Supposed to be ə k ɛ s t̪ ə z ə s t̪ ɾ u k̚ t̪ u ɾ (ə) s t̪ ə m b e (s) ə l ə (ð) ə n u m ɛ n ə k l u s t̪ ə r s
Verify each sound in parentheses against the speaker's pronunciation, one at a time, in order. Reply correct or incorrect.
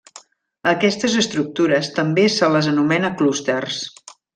correct, correct, incorrect

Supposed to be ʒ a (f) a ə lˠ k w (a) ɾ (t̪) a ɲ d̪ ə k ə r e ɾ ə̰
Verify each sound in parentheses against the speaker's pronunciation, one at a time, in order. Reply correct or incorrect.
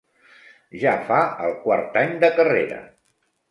correct, correct, correct

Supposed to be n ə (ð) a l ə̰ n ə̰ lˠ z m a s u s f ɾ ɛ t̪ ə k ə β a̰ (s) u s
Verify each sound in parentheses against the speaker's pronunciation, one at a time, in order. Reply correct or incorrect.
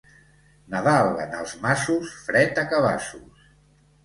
correct, correct

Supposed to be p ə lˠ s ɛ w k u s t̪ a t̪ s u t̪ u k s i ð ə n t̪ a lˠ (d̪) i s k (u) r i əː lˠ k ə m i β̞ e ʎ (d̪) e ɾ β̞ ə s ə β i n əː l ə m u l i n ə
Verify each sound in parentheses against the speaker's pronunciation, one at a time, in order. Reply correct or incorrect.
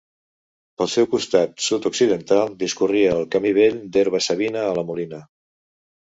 correct, correct, correct

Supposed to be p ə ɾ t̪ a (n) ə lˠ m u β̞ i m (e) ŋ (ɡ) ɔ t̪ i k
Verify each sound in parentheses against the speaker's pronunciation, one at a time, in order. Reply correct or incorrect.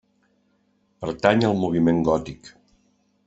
incorrect, correct, correct

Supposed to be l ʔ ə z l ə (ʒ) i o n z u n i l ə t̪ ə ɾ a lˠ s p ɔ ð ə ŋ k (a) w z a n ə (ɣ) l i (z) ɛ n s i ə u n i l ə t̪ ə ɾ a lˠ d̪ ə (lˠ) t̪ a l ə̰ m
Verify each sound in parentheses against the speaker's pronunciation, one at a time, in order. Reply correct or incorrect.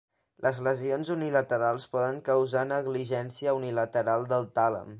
incorrect, incorrect, correct, incorrect, correct

